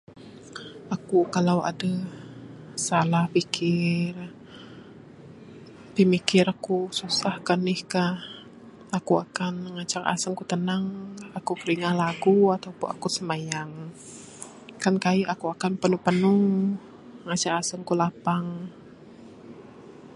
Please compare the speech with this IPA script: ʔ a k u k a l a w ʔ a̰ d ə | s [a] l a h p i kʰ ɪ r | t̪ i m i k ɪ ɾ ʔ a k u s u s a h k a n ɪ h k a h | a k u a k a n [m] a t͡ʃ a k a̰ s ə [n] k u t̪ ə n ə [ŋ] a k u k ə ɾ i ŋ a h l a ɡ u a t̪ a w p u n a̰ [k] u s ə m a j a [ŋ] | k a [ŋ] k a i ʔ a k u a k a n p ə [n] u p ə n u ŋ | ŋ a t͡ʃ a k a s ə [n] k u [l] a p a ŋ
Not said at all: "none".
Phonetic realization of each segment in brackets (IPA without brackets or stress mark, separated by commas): a, ŋ, ŋ, ŋ, k, ŋ, n, n, ŋ, l